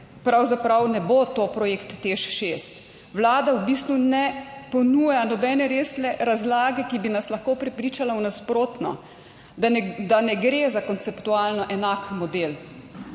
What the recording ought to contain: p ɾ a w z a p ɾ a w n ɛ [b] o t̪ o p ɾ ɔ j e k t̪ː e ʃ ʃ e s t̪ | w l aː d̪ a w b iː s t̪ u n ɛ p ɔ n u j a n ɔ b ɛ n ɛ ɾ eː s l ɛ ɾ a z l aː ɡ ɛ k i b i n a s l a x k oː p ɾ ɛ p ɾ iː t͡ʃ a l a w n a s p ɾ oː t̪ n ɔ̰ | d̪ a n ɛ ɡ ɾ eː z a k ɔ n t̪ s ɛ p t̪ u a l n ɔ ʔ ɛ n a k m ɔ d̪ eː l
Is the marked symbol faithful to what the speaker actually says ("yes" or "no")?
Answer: yes